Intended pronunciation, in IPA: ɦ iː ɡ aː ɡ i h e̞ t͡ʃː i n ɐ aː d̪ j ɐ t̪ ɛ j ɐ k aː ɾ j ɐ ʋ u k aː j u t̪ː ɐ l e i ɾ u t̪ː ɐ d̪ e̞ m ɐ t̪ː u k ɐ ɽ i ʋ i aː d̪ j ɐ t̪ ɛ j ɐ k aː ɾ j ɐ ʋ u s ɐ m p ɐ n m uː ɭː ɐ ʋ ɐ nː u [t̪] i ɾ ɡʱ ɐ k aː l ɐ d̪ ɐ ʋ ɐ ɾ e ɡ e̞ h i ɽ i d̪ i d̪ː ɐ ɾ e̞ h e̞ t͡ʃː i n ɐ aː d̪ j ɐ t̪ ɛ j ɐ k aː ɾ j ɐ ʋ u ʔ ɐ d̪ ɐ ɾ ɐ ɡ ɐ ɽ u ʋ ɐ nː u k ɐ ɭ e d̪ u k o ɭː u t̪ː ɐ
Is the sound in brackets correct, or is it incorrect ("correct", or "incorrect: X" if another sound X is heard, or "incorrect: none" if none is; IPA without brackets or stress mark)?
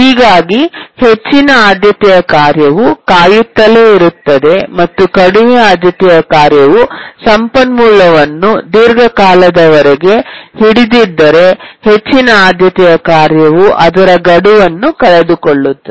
incorrect: d̪